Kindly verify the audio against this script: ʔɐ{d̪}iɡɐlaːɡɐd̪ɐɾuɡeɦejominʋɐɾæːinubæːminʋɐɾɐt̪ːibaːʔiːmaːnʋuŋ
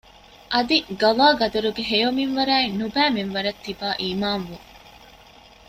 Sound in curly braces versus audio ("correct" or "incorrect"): correct